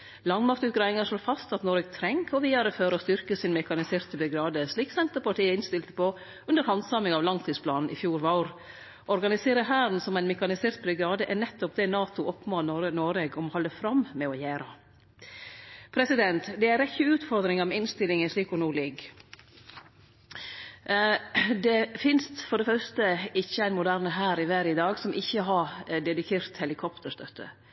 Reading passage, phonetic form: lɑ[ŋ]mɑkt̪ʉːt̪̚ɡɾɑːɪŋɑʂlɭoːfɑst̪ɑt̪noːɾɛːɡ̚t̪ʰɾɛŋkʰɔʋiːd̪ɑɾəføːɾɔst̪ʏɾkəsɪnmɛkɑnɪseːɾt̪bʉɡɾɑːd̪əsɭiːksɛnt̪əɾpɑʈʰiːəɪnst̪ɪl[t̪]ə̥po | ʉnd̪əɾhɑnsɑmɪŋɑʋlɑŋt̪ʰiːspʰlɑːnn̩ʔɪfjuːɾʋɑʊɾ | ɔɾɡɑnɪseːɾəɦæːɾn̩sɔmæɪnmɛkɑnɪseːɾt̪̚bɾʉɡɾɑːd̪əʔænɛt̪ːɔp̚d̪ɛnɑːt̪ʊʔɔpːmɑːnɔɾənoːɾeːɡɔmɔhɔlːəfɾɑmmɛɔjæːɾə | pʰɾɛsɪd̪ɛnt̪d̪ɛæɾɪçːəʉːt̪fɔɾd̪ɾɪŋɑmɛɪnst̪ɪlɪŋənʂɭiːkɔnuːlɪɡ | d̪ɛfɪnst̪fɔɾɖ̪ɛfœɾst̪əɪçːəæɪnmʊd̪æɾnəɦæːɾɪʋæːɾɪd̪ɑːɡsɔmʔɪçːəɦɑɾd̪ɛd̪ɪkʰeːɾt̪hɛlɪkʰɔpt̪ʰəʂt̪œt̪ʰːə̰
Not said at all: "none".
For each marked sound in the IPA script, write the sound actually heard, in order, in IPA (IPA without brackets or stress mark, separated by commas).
ŋ, t̪